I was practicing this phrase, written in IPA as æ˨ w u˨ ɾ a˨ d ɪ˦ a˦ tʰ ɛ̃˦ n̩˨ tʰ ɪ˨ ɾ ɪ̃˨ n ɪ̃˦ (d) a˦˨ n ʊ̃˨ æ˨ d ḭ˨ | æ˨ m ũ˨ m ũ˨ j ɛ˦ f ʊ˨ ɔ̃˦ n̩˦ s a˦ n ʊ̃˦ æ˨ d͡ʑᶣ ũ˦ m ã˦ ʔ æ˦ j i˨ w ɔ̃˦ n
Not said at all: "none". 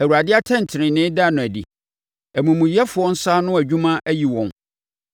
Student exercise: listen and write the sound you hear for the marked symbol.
d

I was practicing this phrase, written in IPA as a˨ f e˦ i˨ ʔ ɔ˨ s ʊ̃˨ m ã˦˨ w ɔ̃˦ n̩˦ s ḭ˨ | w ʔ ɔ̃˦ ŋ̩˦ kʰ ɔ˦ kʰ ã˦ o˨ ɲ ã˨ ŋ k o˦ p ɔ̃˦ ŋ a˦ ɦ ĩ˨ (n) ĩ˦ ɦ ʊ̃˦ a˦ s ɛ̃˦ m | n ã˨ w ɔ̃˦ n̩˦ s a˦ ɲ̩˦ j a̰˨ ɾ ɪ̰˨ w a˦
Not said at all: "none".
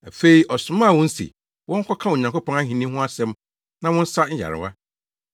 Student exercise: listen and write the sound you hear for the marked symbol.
n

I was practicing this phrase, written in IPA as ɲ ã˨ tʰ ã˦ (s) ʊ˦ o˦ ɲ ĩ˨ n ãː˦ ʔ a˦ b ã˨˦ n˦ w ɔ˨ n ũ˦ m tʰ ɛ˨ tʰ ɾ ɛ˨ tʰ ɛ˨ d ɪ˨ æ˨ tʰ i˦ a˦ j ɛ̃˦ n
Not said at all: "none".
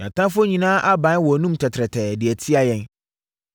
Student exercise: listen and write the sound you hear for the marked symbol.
f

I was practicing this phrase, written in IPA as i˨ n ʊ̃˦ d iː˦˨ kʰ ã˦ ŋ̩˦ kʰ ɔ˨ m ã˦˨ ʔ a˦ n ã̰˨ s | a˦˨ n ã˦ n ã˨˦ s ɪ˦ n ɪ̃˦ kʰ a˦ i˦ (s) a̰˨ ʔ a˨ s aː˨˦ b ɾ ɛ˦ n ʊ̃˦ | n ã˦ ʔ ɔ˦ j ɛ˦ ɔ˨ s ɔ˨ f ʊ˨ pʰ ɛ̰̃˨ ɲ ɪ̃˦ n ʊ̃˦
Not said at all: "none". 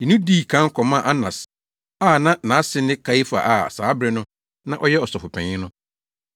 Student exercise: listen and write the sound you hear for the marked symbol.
f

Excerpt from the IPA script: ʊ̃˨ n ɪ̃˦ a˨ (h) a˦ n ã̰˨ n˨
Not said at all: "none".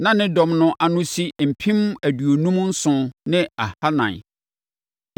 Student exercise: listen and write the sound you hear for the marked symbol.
h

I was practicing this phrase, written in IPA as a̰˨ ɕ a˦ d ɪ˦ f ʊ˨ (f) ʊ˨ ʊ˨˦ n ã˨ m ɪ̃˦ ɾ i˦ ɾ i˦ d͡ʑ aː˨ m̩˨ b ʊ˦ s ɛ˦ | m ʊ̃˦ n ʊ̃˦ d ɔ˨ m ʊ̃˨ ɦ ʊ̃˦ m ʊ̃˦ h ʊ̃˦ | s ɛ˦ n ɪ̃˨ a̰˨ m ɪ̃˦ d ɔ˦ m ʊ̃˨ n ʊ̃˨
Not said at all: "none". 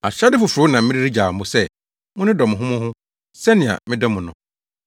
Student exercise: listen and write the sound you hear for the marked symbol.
f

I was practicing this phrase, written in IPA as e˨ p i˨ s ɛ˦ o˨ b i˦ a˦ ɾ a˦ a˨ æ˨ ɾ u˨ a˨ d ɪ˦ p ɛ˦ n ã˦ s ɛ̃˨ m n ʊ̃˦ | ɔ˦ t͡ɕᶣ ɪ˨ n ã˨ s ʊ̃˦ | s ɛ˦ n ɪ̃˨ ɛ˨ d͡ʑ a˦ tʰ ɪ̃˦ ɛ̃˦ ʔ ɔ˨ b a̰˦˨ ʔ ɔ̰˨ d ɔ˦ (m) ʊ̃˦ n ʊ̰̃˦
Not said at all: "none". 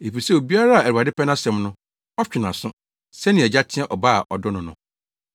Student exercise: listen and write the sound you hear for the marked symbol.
n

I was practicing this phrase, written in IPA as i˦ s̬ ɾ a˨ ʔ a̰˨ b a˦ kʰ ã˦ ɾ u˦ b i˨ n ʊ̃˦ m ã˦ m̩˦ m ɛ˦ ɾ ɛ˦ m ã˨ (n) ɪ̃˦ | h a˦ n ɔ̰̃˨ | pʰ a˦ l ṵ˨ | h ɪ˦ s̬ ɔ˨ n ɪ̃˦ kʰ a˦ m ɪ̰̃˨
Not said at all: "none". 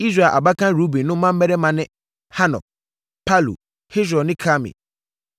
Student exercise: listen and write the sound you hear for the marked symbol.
n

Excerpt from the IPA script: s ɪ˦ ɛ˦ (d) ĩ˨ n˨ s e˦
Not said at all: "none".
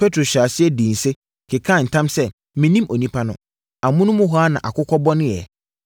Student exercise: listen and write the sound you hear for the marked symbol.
d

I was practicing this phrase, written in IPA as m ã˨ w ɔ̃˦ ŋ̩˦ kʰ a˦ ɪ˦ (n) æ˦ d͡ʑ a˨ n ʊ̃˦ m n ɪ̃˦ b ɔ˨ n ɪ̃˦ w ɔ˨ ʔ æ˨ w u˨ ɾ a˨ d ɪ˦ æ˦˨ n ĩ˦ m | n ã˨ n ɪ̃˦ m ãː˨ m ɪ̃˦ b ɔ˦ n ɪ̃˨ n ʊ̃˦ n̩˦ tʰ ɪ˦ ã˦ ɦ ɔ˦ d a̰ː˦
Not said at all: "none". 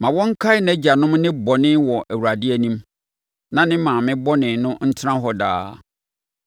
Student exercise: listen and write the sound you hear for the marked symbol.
n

